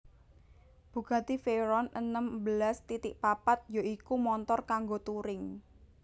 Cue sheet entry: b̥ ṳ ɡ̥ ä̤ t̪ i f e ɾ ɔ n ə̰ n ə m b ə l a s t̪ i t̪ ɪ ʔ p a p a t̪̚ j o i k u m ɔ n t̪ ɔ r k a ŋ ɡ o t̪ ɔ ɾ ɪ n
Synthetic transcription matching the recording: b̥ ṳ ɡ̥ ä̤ t̪ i f e ɾ ɔ n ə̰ n ə m b ə l a s t̪ i t̪ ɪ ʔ p a p a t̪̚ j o i k u m ɔ n t̪ ɔ r k a ŋ ɡ o t̪ u ɾ ɪ ŋ